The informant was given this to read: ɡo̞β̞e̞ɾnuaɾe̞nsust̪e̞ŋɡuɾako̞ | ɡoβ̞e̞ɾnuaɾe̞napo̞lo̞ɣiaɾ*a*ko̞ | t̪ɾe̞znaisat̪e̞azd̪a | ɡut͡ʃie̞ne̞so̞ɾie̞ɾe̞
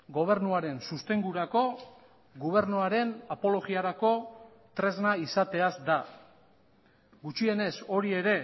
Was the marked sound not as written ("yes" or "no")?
no